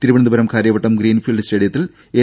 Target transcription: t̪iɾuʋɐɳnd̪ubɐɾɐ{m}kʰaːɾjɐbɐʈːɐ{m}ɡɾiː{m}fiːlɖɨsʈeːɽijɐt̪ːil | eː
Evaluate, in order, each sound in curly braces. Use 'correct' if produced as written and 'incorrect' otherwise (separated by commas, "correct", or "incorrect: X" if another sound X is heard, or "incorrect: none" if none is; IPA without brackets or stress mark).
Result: correct, correct, incorrect: n